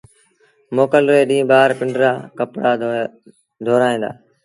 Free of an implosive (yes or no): no